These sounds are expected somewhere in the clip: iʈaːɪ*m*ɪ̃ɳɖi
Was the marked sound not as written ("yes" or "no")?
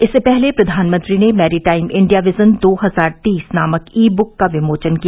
no